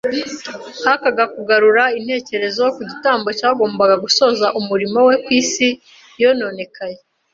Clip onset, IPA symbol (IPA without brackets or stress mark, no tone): h